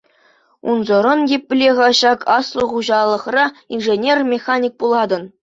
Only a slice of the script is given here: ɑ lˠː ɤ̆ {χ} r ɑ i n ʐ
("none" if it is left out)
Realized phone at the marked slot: χ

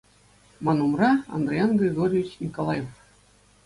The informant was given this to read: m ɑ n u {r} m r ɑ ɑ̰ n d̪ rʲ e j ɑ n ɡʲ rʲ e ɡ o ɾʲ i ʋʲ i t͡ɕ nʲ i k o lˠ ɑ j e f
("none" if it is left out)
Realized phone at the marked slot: none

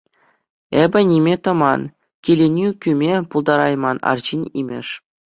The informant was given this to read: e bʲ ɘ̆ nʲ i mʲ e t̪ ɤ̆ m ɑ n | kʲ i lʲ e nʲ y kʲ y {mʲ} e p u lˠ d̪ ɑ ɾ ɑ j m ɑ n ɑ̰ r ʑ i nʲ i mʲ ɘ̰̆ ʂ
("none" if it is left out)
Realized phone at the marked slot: mʲ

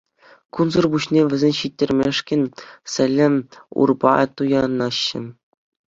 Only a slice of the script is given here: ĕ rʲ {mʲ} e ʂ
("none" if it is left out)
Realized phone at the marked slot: mʲ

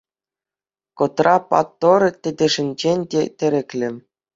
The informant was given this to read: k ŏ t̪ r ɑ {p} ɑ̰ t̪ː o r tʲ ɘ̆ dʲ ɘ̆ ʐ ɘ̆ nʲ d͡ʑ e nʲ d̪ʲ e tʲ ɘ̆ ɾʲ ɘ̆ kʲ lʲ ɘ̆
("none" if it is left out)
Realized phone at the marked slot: p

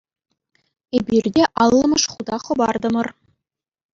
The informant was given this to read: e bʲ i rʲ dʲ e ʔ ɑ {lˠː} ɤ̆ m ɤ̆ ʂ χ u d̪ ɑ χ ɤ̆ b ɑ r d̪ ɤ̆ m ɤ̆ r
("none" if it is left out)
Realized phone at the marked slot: lˠː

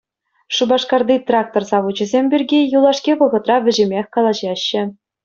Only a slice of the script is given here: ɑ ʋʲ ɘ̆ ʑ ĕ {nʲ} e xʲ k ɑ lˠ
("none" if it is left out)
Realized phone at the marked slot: mʲ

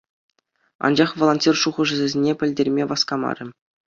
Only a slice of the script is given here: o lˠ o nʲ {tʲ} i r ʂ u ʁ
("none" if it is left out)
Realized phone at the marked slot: tʲ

